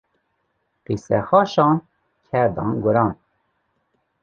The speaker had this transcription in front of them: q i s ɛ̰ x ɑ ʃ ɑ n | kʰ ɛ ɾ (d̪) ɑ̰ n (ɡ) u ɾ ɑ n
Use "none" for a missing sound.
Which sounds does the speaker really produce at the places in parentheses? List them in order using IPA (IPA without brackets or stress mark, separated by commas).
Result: d̪, ɡ